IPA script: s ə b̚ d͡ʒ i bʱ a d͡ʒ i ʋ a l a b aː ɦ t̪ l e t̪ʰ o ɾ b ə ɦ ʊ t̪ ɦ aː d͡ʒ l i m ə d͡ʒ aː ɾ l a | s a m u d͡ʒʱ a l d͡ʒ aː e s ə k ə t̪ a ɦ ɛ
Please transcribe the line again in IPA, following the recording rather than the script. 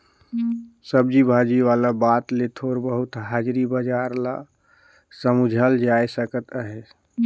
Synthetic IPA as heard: s ə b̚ d͡ʒ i bʱ a d͡ʒ i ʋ a l a b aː t̪ l e t̪ʰ o ɾ b ə ɦ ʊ t̪ ɦ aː d͡ʒ ɾ i b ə d͡ʒ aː ɾ l a | s ə m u d͡ʒʱ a l d͡ʒ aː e s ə k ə t̪ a ɦ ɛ